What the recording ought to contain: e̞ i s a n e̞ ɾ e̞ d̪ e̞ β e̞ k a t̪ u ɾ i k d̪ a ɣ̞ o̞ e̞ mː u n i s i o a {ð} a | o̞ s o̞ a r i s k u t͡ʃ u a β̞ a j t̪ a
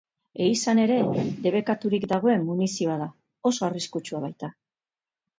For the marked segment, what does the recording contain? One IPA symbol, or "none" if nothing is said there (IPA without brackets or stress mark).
ð